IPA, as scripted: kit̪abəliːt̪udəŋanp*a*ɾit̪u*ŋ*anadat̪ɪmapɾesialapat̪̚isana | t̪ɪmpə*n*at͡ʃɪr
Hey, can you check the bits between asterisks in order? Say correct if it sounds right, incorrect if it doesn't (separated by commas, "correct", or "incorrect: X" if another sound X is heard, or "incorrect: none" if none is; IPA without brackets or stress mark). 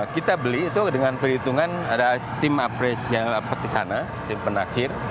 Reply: incorrect: ə, correct, correct